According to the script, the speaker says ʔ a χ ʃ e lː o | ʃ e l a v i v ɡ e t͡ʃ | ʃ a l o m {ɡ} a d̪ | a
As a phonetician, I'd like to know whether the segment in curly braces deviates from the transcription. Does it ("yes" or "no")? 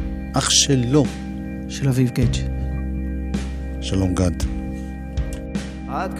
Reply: no